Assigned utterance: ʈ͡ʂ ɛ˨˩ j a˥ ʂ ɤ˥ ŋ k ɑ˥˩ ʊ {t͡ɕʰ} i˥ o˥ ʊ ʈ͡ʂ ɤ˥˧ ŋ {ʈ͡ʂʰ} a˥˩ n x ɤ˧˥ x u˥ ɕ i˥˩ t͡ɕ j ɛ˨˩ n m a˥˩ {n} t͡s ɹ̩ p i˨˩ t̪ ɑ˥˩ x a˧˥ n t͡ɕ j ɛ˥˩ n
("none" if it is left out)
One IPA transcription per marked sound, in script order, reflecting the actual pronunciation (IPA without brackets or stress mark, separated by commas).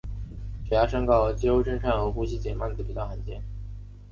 t͡ɕ, ʈ͡ʂʰ, n